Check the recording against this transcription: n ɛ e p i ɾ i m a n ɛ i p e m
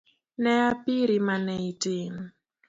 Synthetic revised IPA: n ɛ a p i ɾ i m a n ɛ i t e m